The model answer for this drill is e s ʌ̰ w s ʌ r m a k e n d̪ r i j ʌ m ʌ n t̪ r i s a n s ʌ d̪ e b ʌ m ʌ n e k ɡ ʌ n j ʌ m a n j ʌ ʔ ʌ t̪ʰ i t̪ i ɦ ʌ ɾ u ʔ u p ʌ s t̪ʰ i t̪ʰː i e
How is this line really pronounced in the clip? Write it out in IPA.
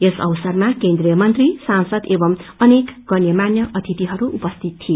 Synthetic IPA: e s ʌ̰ w s ʌ r m a k e n d̪ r i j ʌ m ʌ n t̪ r i s a n s ʌ d̪ e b ʌ m ʌ n e k ɡ ʌ n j ʌ m a n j ʌ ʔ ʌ t̪ʰ i t̪ i ɦ ʌ ɾ u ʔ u p ʌ s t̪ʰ i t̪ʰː i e